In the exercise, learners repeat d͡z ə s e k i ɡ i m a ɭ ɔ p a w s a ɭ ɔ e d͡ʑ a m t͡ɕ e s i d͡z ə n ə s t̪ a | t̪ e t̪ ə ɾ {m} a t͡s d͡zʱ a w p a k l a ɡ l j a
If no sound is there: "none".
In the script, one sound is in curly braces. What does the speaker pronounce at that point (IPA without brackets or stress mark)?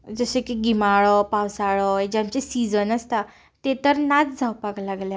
n